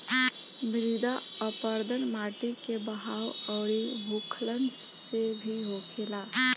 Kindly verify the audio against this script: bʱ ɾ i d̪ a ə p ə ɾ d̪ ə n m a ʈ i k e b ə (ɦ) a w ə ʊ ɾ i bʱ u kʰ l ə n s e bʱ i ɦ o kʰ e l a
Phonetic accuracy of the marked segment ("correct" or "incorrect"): correct